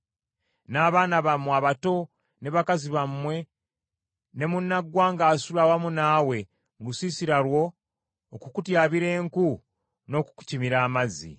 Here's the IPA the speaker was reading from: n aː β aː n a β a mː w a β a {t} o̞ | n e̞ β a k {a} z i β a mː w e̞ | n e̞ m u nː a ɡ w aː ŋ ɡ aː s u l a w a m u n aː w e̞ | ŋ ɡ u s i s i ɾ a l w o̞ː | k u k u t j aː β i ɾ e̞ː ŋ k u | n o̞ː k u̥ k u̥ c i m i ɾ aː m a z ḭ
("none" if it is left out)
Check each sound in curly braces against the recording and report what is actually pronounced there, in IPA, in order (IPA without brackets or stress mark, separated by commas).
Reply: t, a